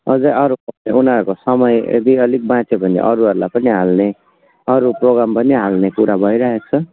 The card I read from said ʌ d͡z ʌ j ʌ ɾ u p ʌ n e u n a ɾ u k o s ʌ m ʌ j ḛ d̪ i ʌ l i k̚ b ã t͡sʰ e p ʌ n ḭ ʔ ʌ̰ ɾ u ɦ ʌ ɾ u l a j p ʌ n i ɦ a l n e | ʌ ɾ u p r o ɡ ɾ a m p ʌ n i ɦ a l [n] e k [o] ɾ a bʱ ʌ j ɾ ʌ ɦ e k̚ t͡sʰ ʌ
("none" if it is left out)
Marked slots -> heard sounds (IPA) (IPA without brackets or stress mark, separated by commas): n, u